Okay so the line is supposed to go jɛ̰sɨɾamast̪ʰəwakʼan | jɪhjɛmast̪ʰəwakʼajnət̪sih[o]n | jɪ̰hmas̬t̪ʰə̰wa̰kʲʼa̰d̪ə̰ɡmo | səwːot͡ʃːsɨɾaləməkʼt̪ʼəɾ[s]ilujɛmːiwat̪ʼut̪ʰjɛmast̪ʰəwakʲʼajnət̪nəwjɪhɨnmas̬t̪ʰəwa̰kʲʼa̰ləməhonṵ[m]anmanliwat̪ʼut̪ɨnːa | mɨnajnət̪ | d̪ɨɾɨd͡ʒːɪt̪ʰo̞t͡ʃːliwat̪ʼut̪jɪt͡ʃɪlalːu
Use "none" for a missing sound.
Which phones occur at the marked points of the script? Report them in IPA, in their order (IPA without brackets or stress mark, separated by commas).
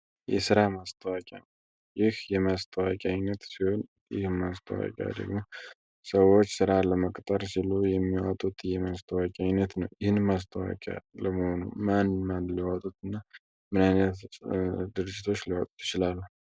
o, s, m